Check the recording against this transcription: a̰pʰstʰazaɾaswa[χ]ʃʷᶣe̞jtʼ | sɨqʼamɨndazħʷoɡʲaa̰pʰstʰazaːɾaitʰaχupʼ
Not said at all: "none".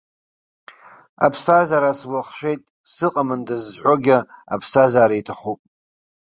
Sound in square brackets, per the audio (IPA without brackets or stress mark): χ